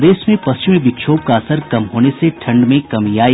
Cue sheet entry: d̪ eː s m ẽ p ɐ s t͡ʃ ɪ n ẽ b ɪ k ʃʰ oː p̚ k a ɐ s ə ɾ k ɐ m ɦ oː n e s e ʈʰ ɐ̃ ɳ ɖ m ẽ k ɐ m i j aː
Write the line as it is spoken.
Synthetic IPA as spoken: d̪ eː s m ẽ p ɐ s t͡ʃ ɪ m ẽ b ɪ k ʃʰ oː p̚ k a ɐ s ə ɾ k ɐ m ɦ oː n e s e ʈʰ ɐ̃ ɳ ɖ m ẽ k ɐ m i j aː